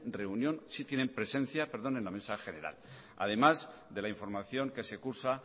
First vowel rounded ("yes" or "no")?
no